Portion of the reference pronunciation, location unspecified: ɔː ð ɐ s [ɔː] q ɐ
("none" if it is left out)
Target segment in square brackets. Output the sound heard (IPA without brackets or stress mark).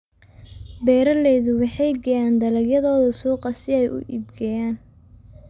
uː